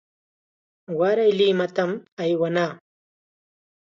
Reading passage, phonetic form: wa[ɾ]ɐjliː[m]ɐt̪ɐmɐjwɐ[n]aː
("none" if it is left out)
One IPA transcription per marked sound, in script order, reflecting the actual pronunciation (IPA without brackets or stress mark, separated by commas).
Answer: ɾ, m, n